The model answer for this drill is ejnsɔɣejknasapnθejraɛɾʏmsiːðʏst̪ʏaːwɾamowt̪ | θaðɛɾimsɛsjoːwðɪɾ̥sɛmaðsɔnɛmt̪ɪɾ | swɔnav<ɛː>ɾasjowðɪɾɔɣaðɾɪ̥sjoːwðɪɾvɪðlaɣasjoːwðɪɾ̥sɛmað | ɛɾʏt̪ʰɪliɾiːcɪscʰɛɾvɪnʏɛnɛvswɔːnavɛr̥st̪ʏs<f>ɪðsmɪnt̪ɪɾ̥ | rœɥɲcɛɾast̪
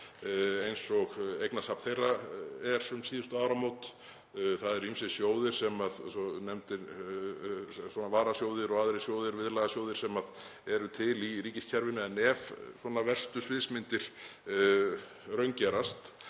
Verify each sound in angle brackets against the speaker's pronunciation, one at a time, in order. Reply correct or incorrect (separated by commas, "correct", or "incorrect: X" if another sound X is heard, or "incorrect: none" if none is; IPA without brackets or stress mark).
incorrect: aː, incorrect: v